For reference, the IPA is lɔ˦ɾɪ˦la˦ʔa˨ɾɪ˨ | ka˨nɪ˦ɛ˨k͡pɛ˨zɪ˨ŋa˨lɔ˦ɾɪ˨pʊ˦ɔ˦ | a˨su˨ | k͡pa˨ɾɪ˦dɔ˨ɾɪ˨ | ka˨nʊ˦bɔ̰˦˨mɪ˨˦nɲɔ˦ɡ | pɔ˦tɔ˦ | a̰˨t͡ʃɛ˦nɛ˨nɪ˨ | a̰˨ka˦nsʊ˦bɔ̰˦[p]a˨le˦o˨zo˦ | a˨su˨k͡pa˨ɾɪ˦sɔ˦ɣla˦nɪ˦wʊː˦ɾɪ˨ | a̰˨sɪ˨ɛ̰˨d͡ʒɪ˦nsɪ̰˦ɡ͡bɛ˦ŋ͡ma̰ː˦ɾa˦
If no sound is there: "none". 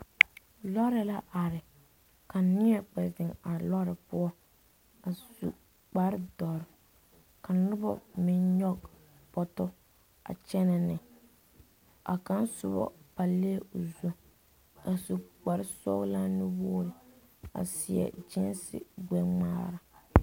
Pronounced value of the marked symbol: p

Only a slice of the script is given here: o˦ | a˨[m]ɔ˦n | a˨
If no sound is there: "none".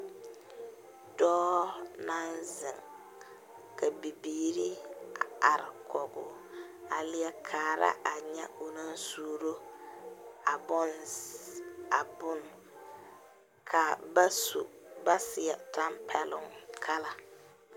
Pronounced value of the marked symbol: b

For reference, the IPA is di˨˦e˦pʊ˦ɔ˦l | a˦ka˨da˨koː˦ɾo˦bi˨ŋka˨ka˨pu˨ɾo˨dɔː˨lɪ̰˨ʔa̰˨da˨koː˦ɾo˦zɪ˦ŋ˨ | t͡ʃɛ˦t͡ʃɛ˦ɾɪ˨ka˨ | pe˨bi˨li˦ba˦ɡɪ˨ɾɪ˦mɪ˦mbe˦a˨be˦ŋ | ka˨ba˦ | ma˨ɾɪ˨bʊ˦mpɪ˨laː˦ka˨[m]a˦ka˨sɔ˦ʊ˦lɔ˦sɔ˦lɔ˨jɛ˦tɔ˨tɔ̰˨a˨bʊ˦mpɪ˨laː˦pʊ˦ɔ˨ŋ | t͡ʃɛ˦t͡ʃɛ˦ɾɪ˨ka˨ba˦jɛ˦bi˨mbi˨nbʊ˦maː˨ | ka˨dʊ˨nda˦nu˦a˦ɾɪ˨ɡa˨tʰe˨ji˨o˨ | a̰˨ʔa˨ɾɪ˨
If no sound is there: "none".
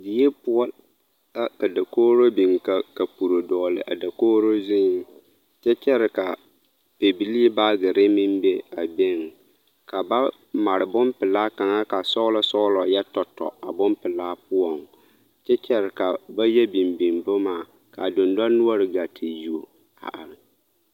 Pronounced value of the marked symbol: ŋ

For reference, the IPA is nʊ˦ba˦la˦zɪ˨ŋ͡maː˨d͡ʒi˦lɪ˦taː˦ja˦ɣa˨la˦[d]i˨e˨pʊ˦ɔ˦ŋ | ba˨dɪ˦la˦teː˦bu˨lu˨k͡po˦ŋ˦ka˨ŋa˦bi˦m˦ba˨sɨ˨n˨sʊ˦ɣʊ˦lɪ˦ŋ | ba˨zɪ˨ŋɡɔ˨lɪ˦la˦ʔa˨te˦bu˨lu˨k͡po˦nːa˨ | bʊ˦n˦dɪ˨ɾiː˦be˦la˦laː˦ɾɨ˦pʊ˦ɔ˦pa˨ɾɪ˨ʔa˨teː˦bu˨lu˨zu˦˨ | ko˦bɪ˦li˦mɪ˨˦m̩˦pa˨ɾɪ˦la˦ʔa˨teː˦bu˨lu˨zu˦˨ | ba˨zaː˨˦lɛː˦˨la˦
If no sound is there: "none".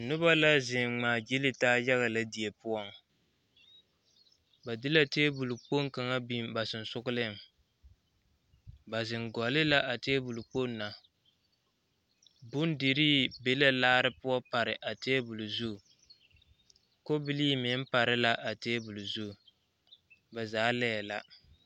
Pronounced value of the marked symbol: d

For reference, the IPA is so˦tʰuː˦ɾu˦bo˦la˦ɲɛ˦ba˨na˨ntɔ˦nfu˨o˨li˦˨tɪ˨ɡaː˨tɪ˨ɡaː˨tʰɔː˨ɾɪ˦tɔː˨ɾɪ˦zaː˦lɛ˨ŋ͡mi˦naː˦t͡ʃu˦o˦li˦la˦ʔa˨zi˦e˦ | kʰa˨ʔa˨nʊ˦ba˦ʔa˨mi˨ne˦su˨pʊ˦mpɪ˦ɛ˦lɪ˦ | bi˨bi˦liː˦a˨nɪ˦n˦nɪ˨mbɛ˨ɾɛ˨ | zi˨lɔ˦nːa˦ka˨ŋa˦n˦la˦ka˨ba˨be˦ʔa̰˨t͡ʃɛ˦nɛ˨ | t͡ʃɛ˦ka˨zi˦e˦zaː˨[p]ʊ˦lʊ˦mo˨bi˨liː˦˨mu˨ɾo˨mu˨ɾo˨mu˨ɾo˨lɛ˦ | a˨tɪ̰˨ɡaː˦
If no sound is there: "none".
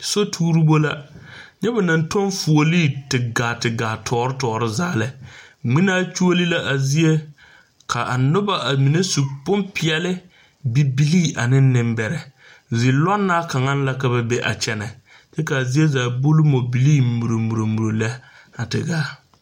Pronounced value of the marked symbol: b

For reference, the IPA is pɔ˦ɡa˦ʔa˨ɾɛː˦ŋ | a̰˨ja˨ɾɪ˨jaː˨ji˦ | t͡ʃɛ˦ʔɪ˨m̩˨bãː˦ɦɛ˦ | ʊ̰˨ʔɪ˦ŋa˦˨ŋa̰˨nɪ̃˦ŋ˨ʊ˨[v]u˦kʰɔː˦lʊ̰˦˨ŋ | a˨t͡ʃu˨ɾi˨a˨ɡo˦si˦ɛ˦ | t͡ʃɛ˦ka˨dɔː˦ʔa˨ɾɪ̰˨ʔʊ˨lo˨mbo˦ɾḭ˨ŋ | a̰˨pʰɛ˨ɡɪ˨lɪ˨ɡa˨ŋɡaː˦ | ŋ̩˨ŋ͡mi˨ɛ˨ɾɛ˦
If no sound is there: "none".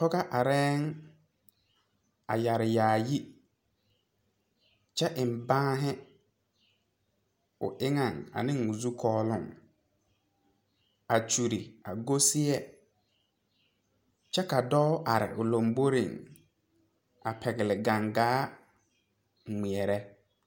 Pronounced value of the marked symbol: z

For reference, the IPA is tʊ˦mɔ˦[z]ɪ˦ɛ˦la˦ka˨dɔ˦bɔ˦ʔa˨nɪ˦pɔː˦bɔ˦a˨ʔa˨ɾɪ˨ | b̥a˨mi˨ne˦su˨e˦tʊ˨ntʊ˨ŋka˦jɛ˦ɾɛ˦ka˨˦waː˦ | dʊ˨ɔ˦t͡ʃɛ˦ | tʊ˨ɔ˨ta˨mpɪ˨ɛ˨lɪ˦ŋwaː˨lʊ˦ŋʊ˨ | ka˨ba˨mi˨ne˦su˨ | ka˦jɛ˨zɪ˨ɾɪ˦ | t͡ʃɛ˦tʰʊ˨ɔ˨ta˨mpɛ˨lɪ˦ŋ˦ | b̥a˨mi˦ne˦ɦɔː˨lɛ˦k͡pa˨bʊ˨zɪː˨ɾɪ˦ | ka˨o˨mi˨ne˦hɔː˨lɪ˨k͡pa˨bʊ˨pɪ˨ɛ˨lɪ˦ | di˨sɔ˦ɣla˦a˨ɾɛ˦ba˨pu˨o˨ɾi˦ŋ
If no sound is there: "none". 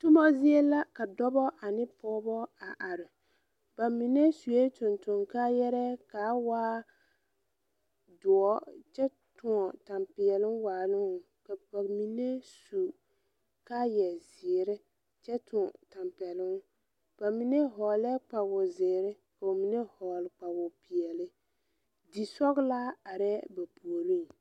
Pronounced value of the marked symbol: z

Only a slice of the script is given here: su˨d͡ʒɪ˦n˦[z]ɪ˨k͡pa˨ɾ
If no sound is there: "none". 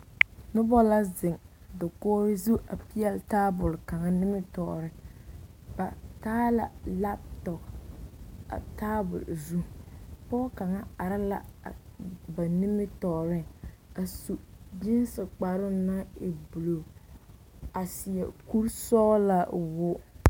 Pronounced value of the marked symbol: s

